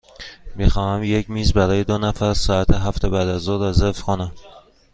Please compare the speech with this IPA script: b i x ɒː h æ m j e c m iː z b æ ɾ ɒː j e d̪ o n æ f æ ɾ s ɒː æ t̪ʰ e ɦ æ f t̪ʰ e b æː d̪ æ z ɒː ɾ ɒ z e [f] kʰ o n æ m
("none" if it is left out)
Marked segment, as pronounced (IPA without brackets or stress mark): f